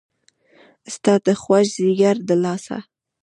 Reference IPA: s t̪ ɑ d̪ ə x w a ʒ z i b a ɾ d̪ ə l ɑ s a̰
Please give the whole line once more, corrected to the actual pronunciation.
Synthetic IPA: s t̪ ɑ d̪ ə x w a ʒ z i ɡ a ɾ d̪ ə l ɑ s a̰